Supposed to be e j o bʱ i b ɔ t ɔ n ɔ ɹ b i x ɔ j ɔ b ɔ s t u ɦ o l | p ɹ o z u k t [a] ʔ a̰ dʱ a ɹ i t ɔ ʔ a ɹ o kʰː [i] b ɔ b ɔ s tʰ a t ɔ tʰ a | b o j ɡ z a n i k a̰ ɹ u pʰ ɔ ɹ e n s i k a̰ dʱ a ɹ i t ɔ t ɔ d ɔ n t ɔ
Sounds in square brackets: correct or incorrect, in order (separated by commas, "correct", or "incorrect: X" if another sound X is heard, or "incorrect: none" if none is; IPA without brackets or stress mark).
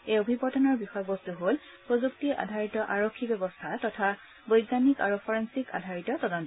incorrect: i, correct